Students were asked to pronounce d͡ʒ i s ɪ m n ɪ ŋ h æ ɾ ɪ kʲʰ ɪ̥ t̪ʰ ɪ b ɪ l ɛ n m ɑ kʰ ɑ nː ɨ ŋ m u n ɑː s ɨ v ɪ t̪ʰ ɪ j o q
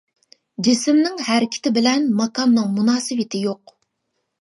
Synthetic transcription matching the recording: d͡ʒ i s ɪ m n ɪ ŋ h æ ɾ ɪ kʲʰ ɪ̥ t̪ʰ ɪ b ɪ l ɛ n m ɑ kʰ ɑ nː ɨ ŋ m u n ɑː s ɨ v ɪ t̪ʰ ɪ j o q